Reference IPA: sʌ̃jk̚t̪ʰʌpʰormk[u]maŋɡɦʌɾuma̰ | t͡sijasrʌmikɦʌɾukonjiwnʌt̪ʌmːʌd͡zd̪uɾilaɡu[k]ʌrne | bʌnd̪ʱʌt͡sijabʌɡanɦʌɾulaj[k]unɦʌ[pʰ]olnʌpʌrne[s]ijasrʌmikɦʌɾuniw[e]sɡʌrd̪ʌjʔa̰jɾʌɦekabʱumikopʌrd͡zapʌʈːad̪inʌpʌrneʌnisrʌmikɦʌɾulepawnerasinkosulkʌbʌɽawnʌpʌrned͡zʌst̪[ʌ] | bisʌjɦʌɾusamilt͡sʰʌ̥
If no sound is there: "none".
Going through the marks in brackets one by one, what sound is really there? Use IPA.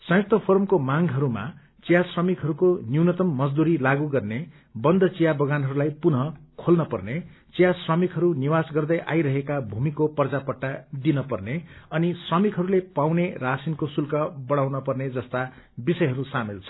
o, ɡ, p, kʰ, t͡s, a, a

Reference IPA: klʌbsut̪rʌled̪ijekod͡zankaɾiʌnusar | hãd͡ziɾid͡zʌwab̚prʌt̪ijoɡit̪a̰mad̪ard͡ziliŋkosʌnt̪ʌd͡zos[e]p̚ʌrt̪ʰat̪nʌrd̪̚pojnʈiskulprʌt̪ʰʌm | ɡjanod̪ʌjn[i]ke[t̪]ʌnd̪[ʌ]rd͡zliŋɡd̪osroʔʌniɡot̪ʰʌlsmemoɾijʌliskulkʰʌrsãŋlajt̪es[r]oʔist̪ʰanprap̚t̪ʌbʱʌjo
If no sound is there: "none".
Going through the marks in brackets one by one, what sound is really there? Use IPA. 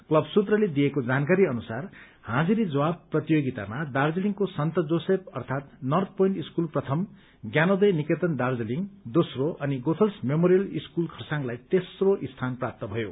e, i, t̪, a, r

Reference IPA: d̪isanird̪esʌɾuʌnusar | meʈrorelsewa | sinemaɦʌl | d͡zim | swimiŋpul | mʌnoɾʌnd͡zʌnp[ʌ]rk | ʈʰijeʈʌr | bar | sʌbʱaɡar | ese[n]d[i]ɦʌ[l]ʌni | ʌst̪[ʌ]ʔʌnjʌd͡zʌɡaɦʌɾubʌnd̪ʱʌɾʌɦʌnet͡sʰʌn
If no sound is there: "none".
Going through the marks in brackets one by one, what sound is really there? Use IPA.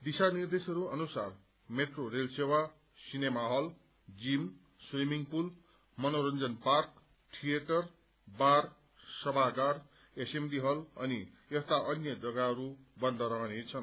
a, m, i, l, a

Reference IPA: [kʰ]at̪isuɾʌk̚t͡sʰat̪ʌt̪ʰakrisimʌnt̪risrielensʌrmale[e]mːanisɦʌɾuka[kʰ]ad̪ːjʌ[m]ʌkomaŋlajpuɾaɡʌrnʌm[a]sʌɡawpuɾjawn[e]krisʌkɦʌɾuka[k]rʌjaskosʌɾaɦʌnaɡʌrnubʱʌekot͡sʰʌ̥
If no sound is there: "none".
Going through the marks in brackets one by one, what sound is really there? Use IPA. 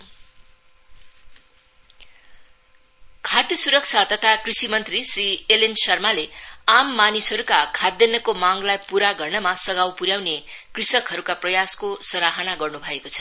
kʰ, a, kʰ, n, a, e, p

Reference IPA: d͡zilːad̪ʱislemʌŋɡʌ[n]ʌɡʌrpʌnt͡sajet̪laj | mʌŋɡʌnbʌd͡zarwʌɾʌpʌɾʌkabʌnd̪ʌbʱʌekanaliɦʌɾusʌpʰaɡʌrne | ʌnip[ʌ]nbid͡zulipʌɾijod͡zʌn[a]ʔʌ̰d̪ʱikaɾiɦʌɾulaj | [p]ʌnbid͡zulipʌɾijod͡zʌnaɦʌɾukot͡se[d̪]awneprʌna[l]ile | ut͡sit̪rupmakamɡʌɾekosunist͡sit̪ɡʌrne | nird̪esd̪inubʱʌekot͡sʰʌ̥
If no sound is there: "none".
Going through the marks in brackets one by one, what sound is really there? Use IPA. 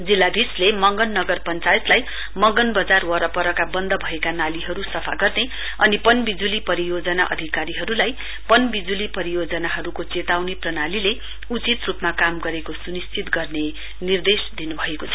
nː, ʌ, a, p, t̪, l

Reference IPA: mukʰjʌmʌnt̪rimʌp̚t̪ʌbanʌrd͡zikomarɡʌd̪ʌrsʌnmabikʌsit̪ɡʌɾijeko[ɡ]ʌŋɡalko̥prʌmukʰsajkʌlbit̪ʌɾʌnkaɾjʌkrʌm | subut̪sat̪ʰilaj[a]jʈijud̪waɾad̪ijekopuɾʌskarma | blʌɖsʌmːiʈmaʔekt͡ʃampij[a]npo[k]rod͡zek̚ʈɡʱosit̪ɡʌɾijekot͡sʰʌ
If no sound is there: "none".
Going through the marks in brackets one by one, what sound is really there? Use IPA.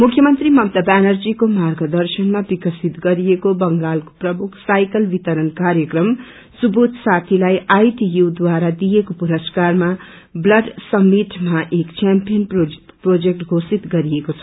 b, a, ʌ, p

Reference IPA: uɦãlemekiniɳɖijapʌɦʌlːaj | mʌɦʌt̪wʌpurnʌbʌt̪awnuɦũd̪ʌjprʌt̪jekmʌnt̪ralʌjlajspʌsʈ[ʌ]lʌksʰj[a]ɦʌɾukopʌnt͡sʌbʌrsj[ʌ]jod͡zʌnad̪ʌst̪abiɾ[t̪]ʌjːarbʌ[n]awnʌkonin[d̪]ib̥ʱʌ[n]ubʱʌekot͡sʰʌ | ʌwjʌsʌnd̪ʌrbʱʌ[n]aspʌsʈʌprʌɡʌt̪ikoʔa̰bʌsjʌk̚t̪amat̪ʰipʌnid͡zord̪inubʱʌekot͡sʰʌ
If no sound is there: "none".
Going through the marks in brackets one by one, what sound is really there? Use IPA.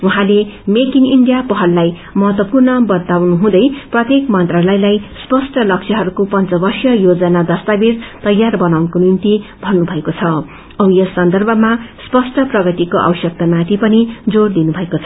ʌ, ʌ, ʌ, t̪, n, t̪, nː, m

